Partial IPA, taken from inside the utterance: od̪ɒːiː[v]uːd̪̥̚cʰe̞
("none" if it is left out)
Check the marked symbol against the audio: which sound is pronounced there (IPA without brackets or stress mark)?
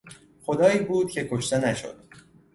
b